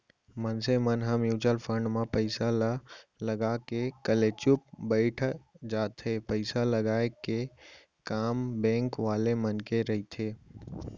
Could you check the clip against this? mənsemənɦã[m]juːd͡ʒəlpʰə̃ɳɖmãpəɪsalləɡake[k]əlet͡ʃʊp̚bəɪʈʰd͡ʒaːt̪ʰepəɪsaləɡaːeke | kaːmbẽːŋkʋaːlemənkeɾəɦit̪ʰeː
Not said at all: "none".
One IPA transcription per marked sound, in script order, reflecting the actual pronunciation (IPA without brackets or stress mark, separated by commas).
m, k